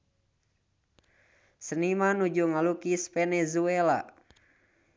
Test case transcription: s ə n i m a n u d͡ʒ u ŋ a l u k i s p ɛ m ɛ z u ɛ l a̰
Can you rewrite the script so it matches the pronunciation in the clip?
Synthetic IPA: s ə n i m a n u d͡ʒ u ŋ a l u k i s p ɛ n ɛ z u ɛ l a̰